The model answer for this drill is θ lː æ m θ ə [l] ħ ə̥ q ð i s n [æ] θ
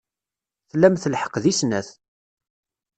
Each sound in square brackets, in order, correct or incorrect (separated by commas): correct, correct